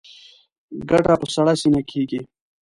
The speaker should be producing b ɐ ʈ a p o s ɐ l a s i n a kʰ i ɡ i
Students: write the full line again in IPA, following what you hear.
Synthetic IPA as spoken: ɡ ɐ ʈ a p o s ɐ ɽ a s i n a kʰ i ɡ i